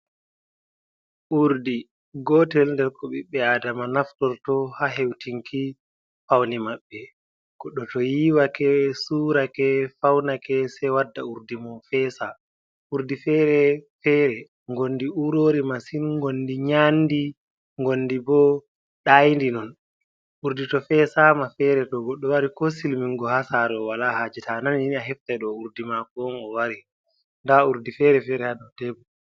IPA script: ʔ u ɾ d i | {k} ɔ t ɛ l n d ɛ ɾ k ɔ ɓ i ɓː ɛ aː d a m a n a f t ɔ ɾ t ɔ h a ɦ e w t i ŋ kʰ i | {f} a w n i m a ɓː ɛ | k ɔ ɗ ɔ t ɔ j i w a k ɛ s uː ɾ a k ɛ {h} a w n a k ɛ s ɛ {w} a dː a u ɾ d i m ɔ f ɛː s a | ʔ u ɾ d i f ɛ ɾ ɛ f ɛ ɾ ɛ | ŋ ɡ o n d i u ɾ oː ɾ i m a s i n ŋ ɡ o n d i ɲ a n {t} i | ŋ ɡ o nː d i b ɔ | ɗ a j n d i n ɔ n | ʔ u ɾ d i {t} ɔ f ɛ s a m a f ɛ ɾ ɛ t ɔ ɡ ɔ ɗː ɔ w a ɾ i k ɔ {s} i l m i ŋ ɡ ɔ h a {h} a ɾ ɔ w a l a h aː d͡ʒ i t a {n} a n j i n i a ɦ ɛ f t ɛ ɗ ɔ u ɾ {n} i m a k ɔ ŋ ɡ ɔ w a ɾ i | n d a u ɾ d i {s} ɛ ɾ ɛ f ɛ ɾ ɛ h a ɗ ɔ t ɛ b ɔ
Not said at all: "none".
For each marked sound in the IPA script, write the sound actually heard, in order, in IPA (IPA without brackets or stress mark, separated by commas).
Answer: ɡ, f, f, w, d, t, s, s, n, d, f